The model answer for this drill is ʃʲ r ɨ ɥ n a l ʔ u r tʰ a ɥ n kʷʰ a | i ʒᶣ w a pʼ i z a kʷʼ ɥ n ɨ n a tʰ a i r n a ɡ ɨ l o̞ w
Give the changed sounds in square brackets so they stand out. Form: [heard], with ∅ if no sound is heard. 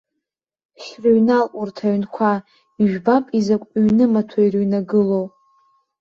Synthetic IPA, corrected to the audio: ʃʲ r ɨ ɥ n a l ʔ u r tʰ a ɥ n kʷʰ a | i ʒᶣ [b] a pʼ i z a kʷʼ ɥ n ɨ [m] a tʰ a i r n a ɡ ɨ l o̞ w

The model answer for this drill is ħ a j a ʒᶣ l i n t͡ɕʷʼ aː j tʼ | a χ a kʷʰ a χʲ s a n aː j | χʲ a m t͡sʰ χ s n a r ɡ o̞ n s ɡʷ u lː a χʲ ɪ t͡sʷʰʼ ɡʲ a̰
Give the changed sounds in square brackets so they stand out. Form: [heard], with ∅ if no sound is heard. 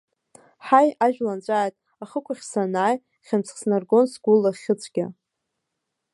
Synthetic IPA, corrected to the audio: ħ a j a ʒᶣ l [a] n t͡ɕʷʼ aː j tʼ | a χ [ə] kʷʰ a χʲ s a n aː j | χʲ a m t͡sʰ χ s n a r ɡ o̞ n s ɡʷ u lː a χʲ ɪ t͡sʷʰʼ ɡʲ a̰

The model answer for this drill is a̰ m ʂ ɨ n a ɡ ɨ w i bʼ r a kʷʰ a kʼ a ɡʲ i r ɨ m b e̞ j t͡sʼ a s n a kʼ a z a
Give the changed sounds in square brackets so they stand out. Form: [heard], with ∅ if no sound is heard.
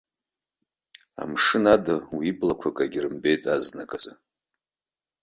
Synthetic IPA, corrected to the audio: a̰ m ʂ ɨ n a [d] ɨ w i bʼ [l] a kʷʰ a kʼ a ɡʲ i r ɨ m b e̞ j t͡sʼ a [z] n a kʼ a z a

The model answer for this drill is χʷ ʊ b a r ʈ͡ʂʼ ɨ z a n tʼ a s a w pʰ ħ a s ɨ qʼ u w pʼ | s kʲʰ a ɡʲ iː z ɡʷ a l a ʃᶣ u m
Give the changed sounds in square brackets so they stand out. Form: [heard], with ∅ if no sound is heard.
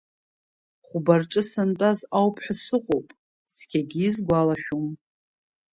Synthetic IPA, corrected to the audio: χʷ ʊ b a r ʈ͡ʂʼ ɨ [s] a n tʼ a [z] a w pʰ ħ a s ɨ qʼ [o] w pʼ | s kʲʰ a ɡʲ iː z ɡʷ a l a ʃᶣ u m

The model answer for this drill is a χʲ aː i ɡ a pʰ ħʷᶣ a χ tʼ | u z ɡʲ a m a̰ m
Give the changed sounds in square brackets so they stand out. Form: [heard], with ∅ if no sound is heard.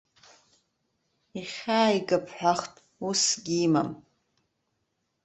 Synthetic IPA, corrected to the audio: [i] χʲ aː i ɡ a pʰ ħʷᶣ a χ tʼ | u [s] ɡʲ [i] m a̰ m

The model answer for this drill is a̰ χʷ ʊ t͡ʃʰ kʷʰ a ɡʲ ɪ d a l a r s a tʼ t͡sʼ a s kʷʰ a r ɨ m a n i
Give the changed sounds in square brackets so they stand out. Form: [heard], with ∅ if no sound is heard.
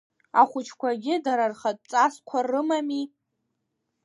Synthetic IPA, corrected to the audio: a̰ χʷ ʊ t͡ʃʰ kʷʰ a ɡʲ ɪ d a [ɾ] a r [χ] a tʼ t͡sʼ a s kʷʰ a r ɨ m a [m] i

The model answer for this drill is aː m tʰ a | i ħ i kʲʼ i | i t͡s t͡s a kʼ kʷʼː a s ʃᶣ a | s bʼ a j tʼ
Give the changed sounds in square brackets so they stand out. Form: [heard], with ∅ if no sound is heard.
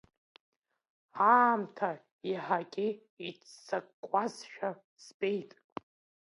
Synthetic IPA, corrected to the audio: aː m tʰ a | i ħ [a] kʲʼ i | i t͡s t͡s a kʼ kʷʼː a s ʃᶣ a | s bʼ [e] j tʼ

